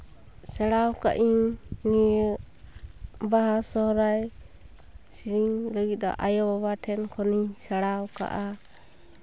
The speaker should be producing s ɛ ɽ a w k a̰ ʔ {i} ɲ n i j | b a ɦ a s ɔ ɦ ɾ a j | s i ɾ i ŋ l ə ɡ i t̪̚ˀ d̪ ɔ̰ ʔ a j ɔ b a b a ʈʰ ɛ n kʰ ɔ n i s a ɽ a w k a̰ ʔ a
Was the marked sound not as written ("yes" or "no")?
no